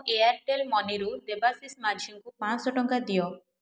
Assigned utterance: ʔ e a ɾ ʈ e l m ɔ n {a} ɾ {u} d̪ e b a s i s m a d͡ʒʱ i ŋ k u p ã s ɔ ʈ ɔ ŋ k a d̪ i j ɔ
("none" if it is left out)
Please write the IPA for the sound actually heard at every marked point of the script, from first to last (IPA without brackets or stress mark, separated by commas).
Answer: i, u